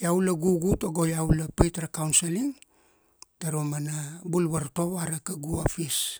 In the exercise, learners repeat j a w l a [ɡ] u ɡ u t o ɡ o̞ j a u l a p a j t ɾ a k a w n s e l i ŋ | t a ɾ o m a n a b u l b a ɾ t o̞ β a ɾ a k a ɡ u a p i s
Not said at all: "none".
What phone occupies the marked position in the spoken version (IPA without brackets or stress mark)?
ɡ